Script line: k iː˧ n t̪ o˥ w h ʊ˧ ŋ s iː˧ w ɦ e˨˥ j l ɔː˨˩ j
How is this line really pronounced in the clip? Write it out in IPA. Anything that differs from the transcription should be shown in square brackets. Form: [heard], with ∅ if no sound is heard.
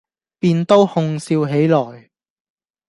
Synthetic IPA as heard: [p] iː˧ n t̪ o˥ w h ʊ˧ ŋ s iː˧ w ɦ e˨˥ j l ɔː˨˩ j